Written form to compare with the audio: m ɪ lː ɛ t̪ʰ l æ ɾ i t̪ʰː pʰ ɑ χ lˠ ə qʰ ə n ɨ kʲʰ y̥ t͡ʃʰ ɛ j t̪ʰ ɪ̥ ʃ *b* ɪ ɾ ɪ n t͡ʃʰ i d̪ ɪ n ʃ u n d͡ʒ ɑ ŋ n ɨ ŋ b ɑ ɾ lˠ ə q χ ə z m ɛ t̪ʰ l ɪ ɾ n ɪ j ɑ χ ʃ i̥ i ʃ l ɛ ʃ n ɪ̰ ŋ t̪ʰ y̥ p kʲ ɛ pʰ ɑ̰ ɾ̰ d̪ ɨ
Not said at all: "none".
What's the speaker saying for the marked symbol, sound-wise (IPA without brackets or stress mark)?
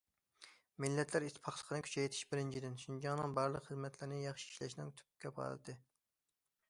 b